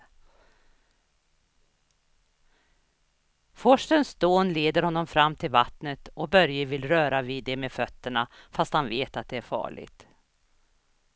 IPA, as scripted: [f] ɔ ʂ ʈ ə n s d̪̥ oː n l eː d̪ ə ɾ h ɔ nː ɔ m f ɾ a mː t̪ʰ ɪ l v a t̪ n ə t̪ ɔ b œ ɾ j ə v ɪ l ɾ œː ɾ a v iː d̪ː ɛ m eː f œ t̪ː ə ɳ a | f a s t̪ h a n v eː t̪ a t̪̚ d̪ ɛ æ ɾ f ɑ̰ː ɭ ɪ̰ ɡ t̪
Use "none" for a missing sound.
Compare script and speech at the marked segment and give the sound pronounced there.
f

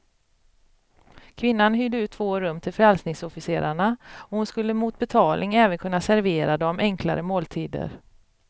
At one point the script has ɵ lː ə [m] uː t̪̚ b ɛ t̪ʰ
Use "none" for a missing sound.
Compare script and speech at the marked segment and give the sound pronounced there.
m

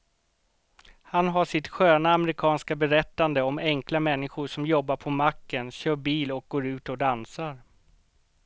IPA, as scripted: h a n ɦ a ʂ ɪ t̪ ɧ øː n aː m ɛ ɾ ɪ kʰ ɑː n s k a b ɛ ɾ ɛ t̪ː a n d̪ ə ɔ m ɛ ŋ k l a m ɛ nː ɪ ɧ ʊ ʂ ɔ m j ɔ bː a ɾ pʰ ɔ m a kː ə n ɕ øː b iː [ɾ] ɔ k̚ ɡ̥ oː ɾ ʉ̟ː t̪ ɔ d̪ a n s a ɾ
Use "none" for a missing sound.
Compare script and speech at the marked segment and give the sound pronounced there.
l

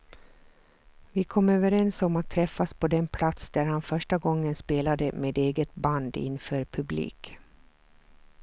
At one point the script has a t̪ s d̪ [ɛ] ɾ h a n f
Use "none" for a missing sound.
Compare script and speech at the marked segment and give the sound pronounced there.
æ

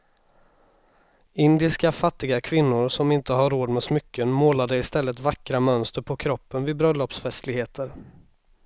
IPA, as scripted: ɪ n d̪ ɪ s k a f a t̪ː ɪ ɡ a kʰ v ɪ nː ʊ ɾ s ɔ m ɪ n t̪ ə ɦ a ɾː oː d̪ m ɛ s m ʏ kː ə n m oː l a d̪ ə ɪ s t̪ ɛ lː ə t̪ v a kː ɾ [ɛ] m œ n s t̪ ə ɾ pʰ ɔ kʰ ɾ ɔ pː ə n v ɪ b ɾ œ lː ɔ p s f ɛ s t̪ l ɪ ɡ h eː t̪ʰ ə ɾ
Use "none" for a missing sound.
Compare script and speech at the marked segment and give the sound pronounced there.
a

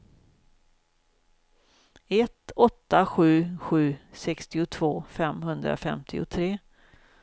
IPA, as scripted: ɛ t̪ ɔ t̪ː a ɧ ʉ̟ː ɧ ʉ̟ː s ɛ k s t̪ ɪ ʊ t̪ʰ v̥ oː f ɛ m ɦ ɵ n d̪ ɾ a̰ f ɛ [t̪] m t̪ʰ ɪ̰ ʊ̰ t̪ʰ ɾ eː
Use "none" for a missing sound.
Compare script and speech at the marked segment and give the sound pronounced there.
none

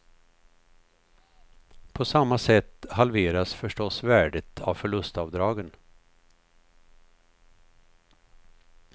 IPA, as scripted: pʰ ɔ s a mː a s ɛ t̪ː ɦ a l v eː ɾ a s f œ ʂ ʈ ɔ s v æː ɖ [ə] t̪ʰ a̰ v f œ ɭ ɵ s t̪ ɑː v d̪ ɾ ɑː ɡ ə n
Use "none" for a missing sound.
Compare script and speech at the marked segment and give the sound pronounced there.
ə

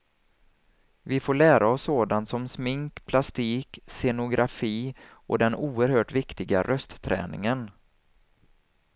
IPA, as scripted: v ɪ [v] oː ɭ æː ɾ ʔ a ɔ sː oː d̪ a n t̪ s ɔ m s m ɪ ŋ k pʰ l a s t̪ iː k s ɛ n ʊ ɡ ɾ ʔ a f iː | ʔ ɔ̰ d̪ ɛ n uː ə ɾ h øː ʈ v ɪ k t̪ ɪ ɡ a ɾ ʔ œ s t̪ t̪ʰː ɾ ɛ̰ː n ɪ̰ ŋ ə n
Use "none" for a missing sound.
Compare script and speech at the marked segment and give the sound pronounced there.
f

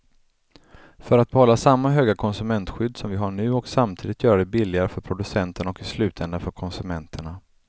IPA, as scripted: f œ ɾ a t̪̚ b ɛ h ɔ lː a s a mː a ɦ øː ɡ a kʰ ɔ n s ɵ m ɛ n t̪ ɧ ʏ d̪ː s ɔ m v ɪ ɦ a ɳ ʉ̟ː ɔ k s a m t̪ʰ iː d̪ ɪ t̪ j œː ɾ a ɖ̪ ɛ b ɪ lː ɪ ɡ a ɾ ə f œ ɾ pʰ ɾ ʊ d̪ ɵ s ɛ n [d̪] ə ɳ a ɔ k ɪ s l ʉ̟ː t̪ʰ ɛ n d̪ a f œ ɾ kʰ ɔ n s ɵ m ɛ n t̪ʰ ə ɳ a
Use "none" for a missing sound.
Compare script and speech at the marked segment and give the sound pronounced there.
t̪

